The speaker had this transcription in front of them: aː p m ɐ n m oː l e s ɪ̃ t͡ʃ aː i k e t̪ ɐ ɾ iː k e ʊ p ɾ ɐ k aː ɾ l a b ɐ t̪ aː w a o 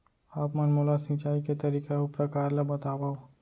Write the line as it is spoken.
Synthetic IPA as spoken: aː p m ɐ n m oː l a s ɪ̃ t͡ʃ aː i k e t̪ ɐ ɾ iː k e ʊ p ɾ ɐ k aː ɾ l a b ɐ t̪ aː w a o